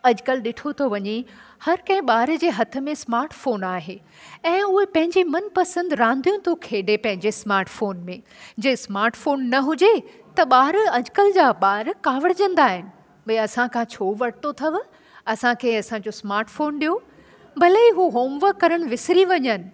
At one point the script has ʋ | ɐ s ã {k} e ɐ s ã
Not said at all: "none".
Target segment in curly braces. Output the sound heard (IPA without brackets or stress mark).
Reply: kʰ